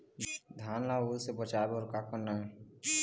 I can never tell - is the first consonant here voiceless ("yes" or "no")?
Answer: no